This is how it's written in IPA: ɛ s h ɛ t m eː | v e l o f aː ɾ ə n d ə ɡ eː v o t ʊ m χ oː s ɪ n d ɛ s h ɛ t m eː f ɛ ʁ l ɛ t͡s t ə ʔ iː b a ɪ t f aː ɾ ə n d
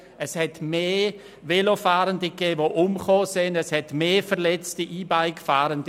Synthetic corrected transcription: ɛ s h ɛ t m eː | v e l o f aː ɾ ə n d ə ɡ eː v o ʔ ʊ m χ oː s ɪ n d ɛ s h ɛ t m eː f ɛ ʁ l ɛ t͡s t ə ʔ iː b a ɪ k f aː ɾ ə n d